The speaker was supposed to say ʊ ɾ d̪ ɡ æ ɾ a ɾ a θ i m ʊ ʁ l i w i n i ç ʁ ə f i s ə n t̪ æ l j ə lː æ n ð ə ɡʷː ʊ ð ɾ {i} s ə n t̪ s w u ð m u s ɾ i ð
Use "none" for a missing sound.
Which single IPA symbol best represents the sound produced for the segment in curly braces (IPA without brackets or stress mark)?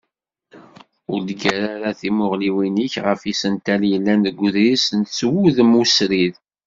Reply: i